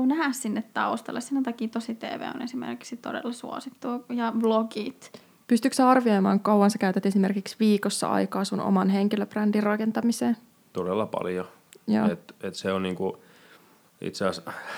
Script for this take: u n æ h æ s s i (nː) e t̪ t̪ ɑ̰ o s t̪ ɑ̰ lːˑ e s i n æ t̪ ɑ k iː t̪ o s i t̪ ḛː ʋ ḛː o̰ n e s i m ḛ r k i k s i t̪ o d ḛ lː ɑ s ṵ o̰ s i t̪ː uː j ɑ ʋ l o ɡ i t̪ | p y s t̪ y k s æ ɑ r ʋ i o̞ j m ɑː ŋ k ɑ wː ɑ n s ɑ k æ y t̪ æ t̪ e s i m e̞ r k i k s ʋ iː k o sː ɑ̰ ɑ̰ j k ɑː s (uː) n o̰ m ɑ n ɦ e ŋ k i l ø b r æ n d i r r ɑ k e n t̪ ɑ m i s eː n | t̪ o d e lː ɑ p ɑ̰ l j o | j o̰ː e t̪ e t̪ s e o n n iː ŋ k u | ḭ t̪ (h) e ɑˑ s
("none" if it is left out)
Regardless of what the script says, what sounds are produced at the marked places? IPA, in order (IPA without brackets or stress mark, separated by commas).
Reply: nː, u, s